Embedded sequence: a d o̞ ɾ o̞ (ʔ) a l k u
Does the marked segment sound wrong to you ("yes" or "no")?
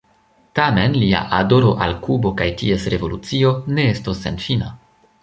no